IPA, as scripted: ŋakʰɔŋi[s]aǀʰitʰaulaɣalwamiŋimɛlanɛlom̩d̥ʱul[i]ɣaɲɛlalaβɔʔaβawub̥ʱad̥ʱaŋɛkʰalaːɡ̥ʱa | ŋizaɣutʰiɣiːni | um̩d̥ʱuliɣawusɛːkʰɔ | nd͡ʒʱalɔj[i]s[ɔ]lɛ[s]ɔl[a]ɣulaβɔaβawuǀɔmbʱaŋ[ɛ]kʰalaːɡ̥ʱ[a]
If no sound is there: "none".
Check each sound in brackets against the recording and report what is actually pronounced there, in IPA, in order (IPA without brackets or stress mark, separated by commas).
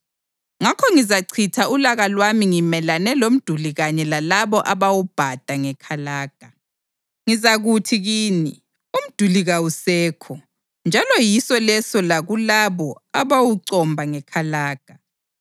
z, i, i, ɔ, s, a, ɛ, a